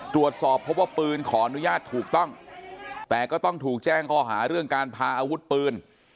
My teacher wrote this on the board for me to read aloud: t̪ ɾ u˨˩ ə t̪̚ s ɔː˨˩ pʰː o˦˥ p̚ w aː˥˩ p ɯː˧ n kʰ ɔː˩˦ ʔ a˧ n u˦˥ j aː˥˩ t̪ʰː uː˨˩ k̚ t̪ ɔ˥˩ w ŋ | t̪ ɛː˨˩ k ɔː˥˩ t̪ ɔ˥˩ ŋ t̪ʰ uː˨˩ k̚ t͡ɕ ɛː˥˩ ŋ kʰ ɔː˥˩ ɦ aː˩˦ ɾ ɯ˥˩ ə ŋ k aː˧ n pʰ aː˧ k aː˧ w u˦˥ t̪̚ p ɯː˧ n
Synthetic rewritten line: t̪ ɾ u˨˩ ə t̪̚ s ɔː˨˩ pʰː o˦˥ p̚ w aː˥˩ p ɯː˧ n kʰ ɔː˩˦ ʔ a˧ n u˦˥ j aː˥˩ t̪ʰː uː˨˩ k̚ t̪ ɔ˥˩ ŋ | t̪ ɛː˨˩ k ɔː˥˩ t̪ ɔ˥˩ ŋ t̪ʰ uː˨˩ k̚ t͡ɕ ɛː˥˩ ŋ kʰ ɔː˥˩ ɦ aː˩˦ ɾ ɯ˥˩ ə ŋ k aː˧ n pʰ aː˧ ʔ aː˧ w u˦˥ t̪̚ p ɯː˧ n